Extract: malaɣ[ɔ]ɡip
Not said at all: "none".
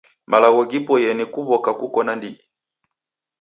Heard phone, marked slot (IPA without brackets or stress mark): ɔ